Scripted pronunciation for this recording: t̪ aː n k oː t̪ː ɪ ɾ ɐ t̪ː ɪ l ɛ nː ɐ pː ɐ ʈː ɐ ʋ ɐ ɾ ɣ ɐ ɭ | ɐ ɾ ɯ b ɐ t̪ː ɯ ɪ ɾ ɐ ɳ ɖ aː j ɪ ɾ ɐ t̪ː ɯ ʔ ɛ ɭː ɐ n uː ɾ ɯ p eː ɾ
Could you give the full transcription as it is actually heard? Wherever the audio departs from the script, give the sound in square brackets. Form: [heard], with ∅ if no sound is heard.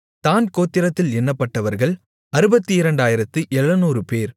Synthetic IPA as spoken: t̪ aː n k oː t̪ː ɪ ɾ ɐ t̪ː ɪ l ɛ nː ɐ pː ɐ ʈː ɐ ʋ ɐ ɾ ɣ ɐ ɭ | ɐ ɾ ɯ b ɐ t̪ː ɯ ɪ ɾ ɐ ɳ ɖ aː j ɪ ɾ ɐ t̪ː ɯ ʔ ɛ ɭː ɐ n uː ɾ ɯ p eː ɾ